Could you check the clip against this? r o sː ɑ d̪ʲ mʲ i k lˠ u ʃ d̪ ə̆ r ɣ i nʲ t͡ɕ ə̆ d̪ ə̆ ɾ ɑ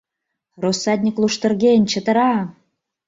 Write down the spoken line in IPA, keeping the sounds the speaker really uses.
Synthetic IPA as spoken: r o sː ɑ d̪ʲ nʲ i k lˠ u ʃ t̪ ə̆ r ɣ e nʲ t͡ɕ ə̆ t̪ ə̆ ɾ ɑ